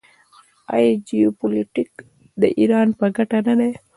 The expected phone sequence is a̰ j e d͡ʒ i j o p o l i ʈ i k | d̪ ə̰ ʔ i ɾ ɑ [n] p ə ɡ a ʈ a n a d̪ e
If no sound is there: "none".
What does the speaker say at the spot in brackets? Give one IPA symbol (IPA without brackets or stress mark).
n